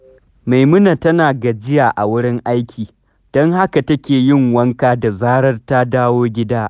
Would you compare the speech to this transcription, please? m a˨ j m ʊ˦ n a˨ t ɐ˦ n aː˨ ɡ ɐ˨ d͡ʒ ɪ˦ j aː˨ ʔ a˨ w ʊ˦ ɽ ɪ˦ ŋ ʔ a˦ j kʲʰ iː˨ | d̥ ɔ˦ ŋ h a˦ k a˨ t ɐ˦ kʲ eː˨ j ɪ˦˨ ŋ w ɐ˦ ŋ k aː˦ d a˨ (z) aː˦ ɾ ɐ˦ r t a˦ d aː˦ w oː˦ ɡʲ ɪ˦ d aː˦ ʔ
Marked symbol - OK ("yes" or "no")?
yes